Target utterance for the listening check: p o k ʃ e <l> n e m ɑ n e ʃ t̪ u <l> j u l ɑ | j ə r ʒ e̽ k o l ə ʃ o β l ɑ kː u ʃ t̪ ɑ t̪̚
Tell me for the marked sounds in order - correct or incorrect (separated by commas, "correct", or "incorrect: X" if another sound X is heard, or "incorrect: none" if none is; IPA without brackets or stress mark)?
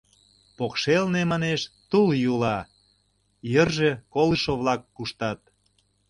correct, correct